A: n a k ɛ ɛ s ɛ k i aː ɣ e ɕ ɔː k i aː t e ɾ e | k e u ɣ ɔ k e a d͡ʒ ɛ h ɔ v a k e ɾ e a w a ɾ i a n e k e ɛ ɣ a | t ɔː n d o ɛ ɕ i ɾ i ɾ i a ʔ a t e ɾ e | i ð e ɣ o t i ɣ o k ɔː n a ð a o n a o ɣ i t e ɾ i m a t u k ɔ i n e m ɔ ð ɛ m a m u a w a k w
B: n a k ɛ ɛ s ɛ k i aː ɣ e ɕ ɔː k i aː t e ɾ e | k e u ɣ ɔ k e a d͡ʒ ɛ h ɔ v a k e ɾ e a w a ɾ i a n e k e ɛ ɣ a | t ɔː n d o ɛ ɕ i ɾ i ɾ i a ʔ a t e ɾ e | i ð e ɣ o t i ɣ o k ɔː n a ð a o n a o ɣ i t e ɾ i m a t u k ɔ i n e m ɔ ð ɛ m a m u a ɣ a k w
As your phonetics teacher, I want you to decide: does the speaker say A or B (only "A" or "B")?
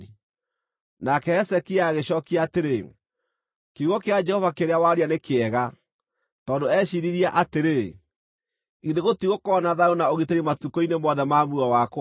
A